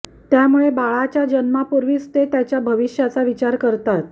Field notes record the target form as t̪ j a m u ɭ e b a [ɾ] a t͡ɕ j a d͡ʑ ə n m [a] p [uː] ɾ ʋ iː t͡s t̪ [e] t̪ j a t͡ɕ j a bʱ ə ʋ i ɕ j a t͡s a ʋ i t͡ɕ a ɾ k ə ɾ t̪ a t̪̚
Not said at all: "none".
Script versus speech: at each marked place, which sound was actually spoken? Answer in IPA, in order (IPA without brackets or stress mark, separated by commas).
ɭ, a, u, e